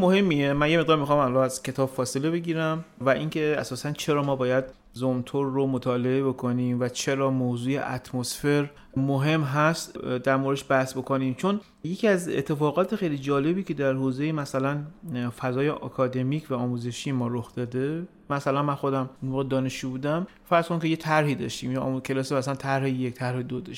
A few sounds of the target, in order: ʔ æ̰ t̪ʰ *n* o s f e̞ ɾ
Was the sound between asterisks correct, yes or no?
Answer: no